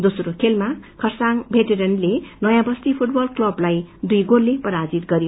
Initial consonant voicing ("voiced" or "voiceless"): voiced